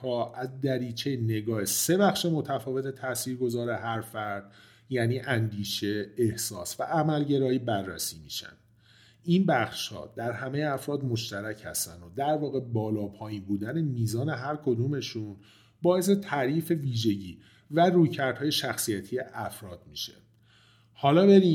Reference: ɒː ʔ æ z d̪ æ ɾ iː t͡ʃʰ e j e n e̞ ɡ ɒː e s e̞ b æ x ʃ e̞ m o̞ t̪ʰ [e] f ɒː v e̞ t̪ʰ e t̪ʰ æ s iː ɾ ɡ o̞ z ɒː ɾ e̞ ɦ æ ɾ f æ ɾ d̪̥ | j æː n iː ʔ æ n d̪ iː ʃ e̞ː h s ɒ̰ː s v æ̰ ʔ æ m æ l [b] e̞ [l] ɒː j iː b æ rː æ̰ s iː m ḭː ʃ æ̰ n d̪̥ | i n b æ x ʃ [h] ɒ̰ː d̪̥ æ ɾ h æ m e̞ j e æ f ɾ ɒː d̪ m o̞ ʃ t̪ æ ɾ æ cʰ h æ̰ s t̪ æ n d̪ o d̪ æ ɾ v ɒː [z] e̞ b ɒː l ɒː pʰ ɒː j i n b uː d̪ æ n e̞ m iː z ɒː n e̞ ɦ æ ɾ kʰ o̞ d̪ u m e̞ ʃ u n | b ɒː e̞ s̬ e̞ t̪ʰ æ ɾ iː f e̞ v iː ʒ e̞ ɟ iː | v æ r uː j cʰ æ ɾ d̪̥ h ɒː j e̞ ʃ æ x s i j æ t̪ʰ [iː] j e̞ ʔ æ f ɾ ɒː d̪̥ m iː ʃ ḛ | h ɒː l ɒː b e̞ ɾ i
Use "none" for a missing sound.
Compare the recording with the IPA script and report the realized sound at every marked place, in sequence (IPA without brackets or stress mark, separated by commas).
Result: æ, ɟ, ɾ, h, ɣ, i